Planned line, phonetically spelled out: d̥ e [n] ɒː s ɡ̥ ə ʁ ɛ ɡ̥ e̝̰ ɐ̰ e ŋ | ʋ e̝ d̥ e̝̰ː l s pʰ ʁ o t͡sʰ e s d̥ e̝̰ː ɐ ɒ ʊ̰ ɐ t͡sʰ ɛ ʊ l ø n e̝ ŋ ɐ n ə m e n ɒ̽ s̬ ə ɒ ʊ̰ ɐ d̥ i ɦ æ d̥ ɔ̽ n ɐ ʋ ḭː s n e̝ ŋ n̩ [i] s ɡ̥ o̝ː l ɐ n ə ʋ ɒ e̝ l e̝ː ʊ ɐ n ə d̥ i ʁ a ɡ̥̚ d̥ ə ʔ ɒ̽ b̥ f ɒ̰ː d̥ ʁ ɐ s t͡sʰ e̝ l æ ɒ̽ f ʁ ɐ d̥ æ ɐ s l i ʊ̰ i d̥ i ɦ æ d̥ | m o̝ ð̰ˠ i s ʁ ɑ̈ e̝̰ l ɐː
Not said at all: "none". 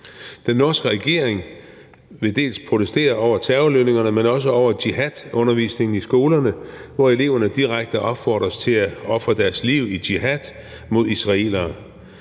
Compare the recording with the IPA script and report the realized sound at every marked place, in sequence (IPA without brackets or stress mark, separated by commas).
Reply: nː, i